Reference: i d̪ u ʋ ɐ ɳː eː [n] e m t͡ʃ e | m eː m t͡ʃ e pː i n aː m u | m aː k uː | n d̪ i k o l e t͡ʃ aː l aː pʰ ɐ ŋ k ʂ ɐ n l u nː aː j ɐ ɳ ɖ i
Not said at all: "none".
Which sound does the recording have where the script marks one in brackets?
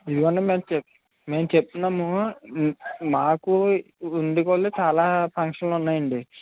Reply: m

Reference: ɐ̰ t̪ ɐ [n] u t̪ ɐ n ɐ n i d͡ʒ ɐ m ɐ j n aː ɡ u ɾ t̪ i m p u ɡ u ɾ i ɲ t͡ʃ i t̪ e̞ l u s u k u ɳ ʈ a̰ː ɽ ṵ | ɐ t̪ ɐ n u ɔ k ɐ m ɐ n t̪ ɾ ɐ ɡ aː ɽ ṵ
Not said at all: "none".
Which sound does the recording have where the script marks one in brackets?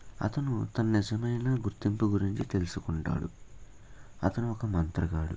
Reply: n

